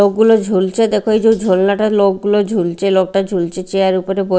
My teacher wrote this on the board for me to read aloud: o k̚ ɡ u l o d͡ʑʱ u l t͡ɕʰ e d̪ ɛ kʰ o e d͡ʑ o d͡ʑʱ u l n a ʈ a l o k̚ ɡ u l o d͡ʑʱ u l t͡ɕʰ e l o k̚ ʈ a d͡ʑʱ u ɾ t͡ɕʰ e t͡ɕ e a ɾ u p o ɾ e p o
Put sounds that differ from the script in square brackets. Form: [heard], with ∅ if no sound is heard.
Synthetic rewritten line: o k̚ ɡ u l o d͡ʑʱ u l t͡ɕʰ e d̪ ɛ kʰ o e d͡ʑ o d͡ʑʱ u l n a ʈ a l o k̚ ɡ u l o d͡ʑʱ u l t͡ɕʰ e l o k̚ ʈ a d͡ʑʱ u [l] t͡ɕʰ e t͡ɕ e a ɾ u p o ɾ e [b] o